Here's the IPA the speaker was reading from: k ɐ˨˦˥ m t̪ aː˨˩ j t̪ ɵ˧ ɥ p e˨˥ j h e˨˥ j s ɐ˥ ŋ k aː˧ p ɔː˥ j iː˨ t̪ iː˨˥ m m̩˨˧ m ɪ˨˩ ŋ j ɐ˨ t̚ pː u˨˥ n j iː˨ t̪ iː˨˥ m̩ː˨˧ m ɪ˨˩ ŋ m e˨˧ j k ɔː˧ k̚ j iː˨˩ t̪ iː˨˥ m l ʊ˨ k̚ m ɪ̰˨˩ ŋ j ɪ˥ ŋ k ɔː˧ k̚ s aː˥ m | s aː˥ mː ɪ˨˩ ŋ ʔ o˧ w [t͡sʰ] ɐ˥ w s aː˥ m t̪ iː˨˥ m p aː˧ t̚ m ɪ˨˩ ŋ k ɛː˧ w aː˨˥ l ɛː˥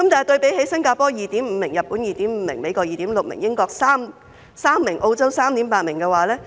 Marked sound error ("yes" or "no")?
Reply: yes